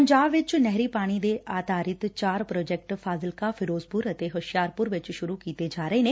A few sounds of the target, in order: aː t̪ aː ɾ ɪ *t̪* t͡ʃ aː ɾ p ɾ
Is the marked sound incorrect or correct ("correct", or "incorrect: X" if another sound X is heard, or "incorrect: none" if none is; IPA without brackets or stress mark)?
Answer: correct